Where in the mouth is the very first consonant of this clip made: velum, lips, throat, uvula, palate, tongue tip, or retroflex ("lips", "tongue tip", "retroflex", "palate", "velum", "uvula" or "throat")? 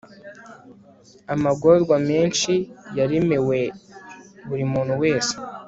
lips